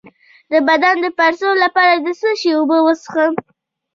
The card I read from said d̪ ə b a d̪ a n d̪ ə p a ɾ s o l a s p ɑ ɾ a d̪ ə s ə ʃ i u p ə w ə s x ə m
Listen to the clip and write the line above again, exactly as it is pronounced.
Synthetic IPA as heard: d̪ ə b a d̪ a n d̪ ə p a ɾ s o l a p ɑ ɾ a d̪ ə s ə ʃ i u b ə w ə s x ə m